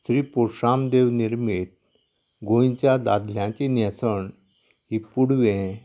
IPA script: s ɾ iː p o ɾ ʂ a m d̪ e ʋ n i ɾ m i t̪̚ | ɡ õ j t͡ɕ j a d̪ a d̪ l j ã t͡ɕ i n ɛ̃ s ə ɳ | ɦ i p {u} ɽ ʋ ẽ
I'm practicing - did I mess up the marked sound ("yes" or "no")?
no